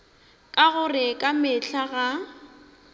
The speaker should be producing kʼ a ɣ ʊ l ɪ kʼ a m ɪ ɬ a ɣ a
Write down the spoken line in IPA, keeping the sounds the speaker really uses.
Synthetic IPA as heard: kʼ a ɣ ʊ r ɪ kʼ a m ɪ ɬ a ɣ a